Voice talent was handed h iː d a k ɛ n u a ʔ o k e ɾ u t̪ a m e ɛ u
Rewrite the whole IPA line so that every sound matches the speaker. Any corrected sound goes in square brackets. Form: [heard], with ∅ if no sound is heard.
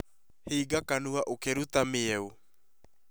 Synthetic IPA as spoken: h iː [ɡ] a k [a] n u a ʔ o k e ɾ u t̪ a m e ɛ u